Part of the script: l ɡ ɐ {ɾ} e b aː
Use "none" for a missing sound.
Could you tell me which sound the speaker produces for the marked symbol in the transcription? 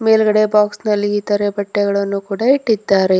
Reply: ɽ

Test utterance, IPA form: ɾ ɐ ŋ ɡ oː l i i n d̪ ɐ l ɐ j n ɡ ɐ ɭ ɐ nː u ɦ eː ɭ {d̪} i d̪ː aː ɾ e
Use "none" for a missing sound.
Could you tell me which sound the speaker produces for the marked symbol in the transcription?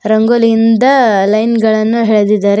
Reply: d̪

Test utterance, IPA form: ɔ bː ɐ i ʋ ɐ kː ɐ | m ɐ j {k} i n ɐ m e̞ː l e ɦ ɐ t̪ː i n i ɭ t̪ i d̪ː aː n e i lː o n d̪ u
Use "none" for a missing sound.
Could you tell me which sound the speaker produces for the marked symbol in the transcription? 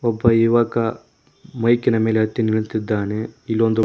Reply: k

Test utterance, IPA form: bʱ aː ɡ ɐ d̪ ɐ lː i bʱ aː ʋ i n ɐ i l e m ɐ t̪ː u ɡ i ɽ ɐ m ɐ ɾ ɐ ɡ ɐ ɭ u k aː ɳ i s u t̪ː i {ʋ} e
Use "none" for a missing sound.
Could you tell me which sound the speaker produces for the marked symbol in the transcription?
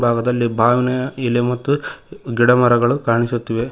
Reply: ʋ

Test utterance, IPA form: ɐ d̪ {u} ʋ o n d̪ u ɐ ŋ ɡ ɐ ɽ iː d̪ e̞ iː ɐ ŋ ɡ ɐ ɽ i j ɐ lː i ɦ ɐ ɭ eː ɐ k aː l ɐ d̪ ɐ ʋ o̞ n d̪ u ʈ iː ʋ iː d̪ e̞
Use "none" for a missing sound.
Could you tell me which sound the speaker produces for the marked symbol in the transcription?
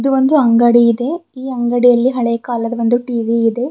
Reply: u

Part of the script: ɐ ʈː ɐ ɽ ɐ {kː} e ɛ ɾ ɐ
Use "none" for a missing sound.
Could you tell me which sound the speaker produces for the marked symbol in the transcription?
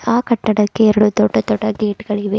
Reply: kː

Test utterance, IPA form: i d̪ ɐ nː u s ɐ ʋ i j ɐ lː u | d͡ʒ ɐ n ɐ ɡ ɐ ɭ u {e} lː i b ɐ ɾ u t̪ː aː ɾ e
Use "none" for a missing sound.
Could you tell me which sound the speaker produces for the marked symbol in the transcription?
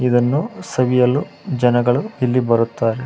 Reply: i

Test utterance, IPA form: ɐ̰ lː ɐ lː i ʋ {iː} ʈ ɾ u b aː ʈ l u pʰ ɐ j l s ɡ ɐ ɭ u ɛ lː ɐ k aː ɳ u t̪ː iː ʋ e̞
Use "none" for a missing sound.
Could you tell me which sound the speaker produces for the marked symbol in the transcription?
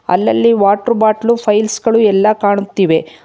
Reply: aː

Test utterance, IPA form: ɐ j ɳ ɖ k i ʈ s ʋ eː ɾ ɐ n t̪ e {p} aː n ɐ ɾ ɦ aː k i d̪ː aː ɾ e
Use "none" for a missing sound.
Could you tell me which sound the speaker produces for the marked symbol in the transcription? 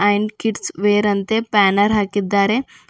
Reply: p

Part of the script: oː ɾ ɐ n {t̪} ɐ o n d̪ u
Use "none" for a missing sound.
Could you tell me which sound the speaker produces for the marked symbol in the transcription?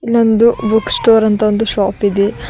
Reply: t̪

